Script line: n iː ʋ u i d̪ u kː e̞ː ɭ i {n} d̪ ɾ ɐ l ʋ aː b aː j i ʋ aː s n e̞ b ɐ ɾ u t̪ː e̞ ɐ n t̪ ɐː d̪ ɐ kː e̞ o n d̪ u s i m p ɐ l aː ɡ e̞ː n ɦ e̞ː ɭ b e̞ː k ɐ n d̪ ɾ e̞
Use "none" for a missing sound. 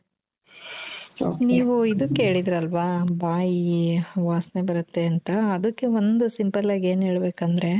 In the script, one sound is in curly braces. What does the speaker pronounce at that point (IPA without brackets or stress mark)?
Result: none